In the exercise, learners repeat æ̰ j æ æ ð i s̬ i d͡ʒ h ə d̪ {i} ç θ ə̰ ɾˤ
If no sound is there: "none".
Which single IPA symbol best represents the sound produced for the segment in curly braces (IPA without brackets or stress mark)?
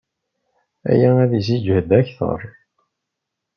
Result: æ